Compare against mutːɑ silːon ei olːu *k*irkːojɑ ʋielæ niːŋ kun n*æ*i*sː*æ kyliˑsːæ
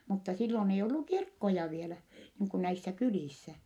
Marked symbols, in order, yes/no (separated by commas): yes, yes, yes